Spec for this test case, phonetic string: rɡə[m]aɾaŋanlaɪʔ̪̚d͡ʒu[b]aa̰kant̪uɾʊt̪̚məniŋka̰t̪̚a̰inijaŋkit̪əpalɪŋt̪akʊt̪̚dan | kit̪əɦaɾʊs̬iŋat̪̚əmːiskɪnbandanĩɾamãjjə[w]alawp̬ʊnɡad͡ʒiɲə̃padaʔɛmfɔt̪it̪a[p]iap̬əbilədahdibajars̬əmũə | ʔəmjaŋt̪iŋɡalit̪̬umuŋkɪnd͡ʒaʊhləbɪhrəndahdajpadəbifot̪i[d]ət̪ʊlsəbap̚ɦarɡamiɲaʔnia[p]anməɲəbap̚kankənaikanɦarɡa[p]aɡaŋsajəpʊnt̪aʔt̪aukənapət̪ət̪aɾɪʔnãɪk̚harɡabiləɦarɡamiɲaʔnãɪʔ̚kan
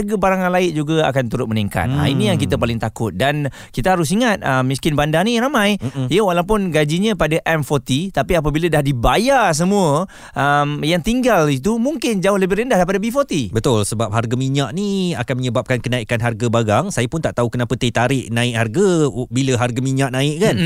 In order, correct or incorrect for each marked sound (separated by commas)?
incorrect, incorrect, correct, correct, incorrect, incorrect, incorrect